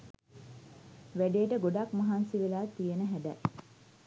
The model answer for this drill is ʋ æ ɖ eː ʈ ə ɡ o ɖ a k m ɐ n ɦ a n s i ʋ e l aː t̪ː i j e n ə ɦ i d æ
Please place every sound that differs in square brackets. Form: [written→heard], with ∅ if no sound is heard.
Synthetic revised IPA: ʋ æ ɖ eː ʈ ə ɡ o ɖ a k m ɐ [n→∅] ɦ a n s i ʋ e l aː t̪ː i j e n ə ɦ [i→æ] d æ